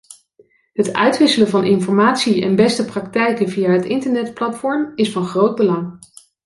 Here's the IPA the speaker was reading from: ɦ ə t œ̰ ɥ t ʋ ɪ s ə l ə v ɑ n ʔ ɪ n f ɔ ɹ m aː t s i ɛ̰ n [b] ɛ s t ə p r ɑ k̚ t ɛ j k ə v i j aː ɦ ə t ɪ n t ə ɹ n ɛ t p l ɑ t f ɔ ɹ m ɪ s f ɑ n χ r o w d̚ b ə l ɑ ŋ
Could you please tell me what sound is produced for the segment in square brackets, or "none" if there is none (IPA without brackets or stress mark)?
b